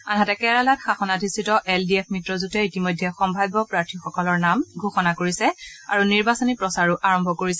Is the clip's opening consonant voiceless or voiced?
voiced